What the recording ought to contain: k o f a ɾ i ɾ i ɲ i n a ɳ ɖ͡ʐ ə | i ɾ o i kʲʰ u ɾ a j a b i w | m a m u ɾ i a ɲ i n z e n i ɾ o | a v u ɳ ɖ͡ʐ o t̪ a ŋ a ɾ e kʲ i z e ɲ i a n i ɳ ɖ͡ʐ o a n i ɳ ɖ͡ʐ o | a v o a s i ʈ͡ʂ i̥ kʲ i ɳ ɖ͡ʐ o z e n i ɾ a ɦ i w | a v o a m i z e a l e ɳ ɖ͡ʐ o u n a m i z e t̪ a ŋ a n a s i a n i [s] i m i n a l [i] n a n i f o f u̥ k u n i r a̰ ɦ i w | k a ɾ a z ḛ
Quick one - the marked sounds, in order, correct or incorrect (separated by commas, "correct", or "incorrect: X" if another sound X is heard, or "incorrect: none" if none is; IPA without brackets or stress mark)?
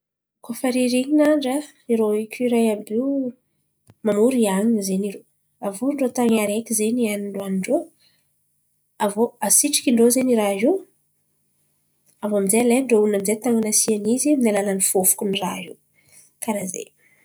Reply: incorrect: z, incorrect: a